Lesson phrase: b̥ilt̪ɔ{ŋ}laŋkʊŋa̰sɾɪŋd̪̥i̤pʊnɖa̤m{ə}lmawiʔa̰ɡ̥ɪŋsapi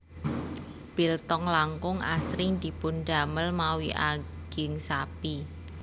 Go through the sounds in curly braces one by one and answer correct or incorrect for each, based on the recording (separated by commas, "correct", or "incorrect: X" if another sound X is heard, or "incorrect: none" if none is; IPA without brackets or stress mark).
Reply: correct, correct